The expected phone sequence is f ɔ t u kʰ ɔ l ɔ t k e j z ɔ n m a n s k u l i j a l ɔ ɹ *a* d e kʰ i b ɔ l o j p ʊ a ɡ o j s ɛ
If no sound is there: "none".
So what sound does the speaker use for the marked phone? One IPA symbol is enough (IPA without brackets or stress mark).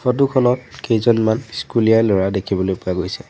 a